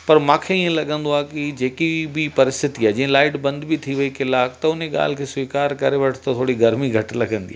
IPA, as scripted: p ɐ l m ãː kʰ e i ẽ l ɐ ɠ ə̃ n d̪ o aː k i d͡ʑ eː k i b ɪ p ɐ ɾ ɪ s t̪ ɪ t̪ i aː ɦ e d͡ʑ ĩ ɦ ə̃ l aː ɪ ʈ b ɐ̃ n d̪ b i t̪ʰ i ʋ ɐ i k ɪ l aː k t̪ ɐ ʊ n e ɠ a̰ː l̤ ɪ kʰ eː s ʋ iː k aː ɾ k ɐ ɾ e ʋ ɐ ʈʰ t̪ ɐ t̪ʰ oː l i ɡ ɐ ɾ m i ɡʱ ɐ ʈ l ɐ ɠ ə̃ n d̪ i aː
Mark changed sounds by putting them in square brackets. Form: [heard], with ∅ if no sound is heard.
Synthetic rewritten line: p ɐ [ɾ] m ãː kʰ e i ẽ l ɐ ɠ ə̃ n d̪ o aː k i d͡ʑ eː k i b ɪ p ɐ ɾ ɪ s t̪ ɪ t̪ i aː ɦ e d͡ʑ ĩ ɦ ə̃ l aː ɪ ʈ b ɐ̃ n d̪ b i t̪ʰ i ʋ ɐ i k ɪ l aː k t̪ ɐ ʊ n e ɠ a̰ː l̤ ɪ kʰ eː s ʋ iː k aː ɾ k ɐ ɾ e ʋ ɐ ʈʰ t̪ ɐ t̪ʰ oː [ɽ] i ɡ ɐ ɾ m i ɡʱ ɐ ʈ l ɐ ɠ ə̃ n d̪ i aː